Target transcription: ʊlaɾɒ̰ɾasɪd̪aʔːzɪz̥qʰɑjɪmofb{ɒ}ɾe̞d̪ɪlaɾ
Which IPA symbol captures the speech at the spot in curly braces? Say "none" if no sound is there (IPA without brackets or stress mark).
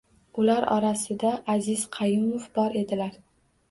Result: ɒ